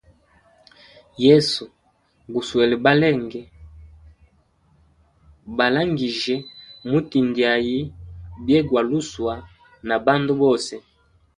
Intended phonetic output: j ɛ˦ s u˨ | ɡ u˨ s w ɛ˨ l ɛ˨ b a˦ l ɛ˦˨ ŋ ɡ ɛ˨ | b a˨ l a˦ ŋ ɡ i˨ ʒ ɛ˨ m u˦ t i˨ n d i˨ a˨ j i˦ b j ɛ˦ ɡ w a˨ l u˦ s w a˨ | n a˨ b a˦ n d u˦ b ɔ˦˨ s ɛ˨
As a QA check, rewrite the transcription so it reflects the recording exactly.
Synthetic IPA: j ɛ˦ s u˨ | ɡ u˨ s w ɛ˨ l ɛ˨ b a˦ l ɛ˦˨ ŋ ɡ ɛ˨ | b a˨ l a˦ ŋ ɡ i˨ ʒ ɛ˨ m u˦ t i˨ n d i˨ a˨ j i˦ b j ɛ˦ ɡ w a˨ l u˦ s w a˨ | n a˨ b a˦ n d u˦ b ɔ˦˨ s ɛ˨